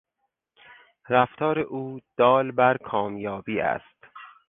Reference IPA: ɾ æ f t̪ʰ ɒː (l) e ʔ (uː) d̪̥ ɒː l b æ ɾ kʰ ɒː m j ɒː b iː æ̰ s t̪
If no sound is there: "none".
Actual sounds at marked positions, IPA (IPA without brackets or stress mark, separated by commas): ɾ, uː